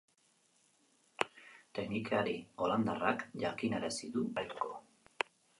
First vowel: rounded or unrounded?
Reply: unrounded